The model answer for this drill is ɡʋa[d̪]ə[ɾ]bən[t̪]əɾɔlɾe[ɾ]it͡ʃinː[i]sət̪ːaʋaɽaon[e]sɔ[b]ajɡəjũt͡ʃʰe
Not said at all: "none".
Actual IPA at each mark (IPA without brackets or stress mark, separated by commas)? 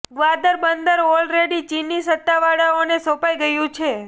d̪, ɾ, d̪, ɽ, i, e, p